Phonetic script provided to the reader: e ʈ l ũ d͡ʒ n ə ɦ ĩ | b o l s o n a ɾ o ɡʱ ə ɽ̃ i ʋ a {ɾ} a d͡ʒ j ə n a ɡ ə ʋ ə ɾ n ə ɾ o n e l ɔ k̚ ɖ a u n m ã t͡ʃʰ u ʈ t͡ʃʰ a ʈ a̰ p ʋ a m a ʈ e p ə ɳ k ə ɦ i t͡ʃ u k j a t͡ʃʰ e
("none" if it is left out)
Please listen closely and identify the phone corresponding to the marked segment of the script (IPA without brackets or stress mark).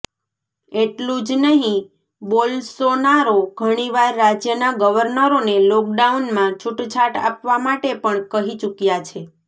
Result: ɾː